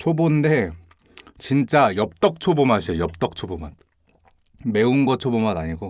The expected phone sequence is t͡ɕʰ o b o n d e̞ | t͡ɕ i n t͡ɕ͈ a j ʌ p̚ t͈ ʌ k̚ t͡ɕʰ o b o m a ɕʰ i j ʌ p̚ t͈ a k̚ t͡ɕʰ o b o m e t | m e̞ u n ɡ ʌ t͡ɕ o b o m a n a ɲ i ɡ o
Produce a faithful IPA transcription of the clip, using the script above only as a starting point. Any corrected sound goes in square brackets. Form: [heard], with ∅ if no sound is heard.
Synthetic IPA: t͡ɕʰ o b o n d e̞ | t͡ɕ i n t͡ɕ͈ a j ʌ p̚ t͈ ʌ k̚ t͡ɕʰ o b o m a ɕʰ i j ʌ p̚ t͈ [ʌ] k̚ t͡ɕʰ o b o m [a] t | m e̞ u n ɡ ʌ [t͡ɕʰ] o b o m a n a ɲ i ɡ o